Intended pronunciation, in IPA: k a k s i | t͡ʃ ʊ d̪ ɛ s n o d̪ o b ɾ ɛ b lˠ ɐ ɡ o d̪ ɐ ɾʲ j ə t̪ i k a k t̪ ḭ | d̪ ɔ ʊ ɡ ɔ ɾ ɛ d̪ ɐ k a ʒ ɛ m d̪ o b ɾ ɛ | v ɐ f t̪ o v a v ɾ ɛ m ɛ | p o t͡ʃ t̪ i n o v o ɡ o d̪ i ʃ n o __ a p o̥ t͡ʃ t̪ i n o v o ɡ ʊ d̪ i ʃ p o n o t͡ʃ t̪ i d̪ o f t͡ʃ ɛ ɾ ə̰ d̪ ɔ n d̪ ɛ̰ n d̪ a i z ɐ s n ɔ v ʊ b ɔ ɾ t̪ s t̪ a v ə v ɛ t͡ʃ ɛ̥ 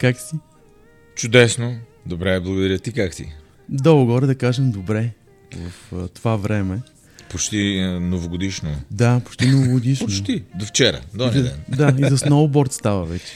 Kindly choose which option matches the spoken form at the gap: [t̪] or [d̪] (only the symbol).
d̪